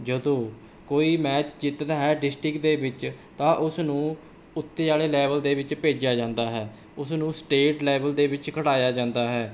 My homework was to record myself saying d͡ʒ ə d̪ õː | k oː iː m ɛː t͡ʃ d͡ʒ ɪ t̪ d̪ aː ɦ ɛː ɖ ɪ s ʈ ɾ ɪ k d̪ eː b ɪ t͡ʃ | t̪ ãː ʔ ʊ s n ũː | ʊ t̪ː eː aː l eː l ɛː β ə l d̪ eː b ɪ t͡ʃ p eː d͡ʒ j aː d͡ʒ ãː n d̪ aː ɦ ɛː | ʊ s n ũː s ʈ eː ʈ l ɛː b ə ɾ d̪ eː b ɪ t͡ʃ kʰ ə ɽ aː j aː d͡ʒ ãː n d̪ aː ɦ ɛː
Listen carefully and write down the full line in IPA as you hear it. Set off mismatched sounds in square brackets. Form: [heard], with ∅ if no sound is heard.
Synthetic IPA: d͡ʒ ə d̪ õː | k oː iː m ɛː t͡ʃ d͡ʒ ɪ t̪ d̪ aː ɦ ɛː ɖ ɪ s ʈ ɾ ɪ k d̪ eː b ɪ t͡ʃ | t̪ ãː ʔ ʊ s n ũː | ʊ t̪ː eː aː l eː l ɛː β ə l d̪ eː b ɪ t͡ʃ p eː d͡ʒ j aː d͡ʒ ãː n d̪ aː ɦ ɛː | ʊ s n ũː s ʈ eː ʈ l ɛː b ə [l] d̪ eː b ɪ t͡ʃ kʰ ə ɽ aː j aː d͡ʒ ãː n d̪ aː ɦ ɛː